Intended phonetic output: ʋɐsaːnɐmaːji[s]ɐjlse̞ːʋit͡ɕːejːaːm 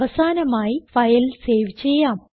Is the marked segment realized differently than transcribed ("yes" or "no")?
yes